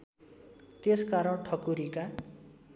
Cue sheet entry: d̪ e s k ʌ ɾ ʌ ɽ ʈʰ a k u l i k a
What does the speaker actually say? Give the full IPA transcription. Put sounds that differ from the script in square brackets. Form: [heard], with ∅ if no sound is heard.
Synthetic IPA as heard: [t̪] e s k [a] ɾ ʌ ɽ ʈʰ [ʌ] k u [ɾ] i k a